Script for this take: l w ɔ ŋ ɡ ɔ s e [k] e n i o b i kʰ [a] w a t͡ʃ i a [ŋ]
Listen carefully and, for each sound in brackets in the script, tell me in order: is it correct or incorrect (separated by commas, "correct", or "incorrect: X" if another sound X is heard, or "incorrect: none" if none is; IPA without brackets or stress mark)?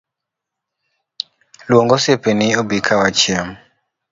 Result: incorrect: p, correct, incorrect: m